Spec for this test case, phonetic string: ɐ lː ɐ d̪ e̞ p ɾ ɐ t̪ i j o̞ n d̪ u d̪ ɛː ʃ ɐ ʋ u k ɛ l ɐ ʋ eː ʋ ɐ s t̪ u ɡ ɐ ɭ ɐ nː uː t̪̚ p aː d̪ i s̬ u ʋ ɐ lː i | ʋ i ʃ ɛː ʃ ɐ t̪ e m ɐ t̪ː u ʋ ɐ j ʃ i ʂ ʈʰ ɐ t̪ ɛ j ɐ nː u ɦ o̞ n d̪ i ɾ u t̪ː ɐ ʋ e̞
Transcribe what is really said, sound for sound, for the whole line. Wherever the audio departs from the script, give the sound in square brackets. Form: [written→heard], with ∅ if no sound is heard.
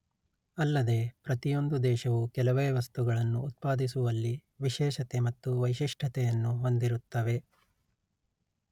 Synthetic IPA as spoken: ɐ lː ɐ d̪ e̞ p ɾ ɐ t̪ i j o̞ n d̪ u d̪ ɛː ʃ ɐ ʋ u k ɛ l ɐ ʋ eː ʋ ɐ s t̪ u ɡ ɐ ɭ ɐ nː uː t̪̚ p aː d̪ i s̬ u ʋ ɐ lː i | ʋ i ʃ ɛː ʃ ɐ t̪ e m ɐ t̪ː u ʋ ɐ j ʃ i ʂ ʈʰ ɐ t̪ ɛ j ɐ nː u ɦ o̞ n d̪ i ɾ u t̪ː ɐ ʋ e̞